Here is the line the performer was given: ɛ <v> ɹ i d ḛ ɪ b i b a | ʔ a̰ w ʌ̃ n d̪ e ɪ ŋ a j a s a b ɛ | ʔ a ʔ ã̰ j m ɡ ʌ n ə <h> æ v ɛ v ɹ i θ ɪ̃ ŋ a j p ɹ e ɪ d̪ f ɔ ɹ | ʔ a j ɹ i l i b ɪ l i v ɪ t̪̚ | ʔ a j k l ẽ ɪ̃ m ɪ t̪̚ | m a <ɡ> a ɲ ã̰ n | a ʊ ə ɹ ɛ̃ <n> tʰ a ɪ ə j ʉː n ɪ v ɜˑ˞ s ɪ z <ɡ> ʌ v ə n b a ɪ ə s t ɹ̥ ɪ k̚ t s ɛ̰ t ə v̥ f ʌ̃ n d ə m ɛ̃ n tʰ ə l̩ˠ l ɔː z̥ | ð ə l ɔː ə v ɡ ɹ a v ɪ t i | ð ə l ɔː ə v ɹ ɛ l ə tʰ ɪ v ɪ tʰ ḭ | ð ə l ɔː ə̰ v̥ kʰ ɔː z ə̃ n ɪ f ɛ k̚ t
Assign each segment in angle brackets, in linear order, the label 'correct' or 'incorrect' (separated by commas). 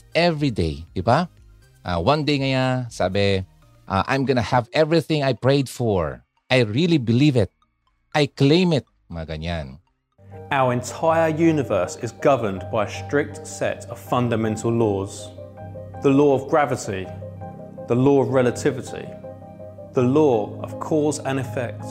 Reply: correct, correct, correct, correct, correct